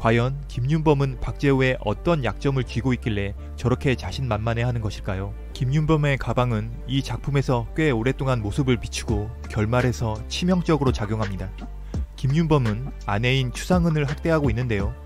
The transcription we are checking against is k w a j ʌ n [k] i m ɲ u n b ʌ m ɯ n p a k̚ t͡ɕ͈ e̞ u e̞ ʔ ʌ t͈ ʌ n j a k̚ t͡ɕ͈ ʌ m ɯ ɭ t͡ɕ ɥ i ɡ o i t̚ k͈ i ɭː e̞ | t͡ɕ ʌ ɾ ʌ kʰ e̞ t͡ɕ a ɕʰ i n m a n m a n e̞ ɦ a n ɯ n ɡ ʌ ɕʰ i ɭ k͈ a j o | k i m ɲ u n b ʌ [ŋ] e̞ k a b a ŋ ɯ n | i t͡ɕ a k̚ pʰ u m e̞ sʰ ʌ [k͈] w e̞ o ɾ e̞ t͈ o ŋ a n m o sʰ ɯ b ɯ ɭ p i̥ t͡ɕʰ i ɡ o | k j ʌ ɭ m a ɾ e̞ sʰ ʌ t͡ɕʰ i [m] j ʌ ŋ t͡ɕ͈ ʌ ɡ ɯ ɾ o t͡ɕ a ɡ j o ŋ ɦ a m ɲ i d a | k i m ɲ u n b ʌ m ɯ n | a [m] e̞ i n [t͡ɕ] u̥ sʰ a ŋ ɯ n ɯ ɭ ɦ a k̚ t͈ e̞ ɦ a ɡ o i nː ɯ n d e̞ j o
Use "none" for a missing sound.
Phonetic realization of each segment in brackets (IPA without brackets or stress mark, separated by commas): k, m, k͈, m, n, t͡ɕʰ